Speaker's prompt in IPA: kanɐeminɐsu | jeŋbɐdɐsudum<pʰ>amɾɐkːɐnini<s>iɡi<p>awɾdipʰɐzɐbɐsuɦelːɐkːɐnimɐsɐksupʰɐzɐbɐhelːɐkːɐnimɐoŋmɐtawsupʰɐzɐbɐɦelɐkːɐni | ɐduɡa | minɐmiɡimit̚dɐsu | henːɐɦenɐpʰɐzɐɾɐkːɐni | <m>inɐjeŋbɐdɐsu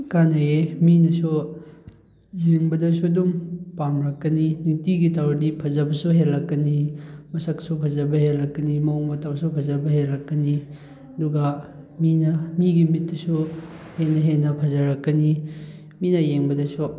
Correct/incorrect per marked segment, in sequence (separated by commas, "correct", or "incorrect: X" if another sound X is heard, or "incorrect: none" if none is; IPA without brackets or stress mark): incorrect: p, incorrect: t, incorrect: t, correct